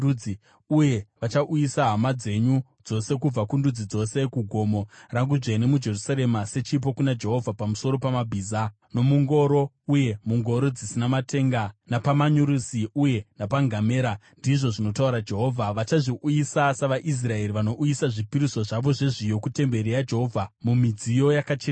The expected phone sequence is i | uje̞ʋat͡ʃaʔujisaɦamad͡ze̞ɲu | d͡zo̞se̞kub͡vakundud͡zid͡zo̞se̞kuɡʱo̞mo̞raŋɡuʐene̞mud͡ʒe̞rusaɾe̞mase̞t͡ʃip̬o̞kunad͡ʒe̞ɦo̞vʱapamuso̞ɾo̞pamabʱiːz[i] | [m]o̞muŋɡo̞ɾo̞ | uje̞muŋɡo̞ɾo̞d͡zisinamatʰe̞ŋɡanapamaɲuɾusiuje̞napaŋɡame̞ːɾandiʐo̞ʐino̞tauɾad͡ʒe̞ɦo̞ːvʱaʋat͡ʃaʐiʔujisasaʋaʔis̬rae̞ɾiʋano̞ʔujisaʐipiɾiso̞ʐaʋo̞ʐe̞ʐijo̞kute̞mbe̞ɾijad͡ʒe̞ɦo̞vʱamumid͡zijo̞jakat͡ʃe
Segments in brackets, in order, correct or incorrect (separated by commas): incorrect, incorrect